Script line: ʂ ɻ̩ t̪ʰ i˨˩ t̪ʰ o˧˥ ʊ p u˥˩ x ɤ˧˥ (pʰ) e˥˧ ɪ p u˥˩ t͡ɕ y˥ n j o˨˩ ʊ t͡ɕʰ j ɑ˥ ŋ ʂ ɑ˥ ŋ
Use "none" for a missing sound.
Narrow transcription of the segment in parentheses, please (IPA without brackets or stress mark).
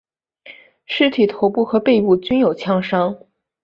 p